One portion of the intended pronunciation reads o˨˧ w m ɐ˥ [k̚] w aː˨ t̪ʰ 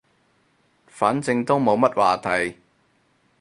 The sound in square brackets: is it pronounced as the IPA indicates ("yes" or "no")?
no